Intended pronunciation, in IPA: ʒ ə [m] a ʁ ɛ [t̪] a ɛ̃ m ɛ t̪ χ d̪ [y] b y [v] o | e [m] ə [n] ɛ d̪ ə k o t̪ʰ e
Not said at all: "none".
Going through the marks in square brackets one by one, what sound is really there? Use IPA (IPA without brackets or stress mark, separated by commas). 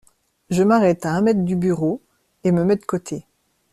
m, t̪, y, ʁ, m, m